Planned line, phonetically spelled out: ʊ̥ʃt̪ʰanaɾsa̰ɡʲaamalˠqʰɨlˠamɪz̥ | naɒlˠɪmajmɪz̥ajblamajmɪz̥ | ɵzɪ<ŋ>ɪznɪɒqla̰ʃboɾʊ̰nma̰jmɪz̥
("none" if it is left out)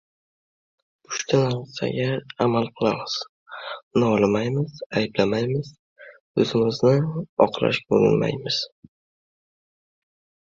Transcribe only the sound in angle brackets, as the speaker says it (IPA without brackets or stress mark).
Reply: m